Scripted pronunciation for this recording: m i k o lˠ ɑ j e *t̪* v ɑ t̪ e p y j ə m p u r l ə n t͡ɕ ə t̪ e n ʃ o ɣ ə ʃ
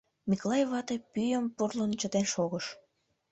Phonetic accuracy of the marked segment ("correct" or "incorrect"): incorrect